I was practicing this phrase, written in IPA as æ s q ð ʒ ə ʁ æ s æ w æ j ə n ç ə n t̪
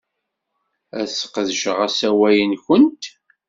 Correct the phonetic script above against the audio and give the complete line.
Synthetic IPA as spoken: æ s q ð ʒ ə ʁ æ s æ w æ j ə n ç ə n t̪